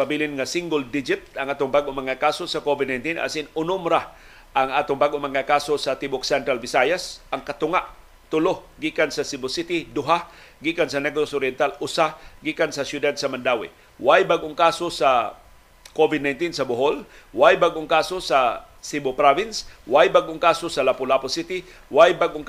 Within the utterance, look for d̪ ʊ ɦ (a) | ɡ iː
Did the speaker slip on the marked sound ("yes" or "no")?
no